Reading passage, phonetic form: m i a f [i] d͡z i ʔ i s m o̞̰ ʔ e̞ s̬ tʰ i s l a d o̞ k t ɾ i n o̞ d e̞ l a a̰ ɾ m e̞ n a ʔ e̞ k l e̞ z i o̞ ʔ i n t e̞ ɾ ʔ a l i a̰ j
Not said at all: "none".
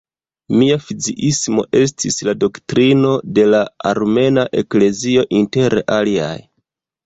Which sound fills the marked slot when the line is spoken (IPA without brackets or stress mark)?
i